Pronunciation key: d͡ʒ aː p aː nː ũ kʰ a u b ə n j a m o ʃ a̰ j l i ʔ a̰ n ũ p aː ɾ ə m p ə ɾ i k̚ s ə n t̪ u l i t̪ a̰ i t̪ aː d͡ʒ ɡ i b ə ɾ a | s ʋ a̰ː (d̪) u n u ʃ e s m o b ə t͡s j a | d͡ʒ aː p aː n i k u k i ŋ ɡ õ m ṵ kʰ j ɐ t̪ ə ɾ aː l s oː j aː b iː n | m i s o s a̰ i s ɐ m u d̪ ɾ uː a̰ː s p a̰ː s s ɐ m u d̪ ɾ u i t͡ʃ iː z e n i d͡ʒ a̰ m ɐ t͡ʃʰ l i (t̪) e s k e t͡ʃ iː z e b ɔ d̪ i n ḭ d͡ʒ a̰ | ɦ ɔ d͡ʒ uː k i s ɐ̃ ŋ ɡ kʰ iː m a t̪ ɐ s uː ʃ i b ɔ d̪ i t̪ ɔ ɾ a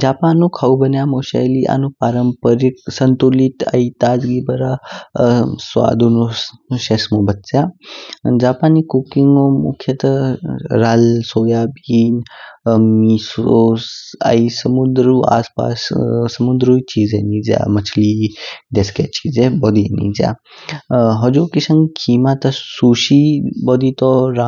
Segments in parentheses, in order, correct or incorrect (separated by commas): correct, incorrect